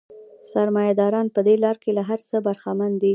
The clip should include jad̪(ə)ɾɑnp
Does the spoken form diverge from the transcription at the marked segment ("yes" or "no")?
yes